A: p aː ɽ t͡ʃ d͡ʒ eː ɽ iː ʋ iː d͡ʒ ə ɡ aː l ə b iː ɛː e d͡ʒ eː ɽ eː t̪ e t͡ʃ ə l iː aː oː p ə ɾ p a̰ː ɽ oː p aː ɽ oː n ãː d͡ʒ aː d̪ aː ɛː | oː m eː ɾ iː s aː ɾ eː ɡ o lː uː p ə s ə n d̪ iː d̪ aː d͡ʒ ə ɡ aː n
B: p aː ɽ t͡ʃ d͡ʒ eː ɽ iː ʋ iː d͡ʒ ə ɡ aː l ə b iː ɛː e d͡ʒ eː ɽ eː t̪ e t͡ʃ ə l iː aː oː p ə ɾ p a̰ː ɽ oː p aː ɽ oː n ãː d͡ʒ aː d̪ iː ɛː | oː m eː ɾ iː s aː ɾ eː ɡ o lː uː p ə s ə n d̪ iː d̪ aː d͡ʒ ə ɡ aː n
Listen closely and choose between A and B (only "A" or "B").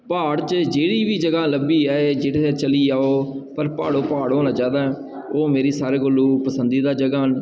A